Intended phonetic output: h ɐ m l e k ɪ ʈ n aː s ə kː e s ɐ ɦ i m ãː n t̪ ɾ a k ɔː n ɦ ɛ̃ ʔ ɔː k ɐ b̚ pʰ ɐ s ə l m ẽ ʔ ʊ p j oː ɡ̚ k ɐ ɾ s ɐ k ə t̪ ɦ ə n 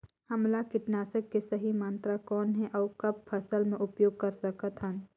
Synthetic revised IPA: h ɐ m l a k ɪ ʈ n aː s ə kː e s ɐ ɦ i m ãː n t̪ ɾ a k ɔː n ɦ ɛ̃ ʔ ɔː k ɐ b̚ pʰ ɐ s ə l m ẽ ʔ ʊ p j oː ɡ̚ k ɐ ɾ s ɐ k ə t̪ ɦ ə n